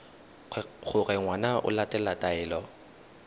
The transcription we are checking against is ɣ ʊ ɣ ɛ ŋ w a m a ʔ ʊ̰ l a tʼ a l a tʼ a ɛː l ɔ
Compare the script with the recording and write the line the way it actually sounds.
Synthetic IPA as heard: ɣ ʊ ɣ ɛ ŋ w a n a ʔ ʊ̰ l a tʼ ɛ l a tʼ a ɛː l ɔ